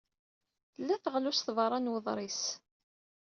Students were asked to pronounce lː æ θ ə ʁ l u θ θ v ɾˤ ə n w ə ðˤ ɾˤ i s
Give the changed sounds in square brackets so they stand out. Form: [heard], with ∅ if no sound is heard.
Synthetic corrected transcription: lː æ θ ə ʁ l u [s] θ v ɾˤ [ɑ] n w ə ðˤ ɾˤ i s